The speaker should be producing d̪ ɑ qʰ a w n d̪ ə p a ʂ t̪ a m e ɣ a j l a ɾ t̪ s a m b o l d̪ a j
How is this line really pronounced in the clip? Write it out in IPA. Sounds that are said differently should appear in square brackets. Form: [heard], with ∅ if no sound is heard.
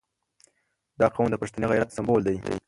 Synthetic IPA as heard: d̪ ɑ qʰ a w n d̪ ə p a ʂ t̪ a [n] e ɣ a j [ɾ] a [∅] t̪ s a m b o l d̪ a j